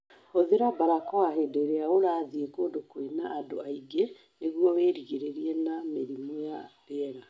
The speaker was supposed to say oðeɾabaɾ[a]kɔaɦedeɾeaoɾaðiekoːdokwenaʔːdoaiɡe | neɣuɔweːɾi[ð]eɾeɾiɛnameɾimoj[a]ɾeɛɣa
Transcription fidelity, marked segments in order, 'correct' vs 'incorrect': correct, incorrect, correct

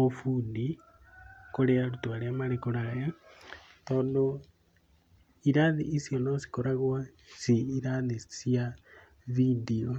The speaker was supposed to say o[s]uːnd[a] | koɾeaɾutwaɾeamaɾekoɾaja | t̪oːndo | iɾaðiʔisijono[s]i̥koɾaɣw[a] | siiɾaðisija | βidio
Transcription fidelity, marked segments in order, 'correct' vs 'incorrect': incorrect, incorrect, correct, correct

